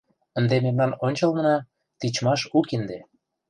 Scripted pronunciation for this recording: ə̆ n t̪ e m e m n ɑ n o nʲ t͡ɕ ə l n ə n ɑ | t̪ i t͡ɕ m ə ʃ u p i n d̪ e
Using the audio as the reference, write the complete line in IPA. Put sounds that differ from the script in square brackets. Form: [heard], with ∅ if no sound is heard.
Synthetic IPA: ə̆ n [d̪] e m e m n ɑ n o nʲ t͡ɕ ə l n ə n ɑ | t̪ i t͡ɕ m [ɑ] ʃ u [k] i n d̪ e